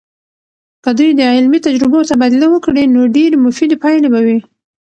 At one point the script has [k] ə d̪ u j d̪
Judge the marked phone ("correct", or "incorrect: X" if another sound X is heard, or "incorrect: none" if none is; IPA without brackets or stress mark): correct